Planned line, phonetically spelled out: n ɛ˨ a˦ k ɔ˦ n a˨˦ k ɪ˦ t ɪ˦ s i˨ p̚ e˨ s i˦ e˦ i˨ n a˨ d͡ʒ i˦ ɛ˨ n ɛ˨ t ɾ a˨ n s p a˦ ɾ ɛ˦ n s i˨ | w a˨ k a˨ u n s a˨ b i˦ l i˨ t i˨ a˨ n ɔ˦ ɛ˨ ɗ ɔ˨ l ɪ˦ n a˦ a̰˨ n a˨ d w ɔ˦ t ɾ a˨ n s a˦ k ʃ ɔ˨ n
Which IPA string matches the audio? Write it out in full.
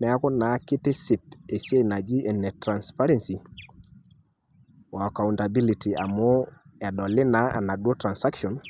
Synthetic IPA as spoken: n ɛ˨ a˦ k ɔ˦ n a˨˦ k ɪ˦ t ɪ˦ s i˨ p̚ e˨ s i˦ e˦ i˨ n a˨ d͡ʒ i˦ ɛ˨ n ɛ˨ t ɾ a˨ n s p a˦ ɾ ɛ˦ n s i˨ | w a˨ k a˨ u n t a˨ b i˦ l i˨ t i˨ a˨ m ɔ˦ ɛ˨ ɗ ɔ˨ l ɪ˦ n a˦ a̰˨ n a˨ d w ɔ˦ t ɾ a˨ n s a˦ k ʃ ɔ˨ n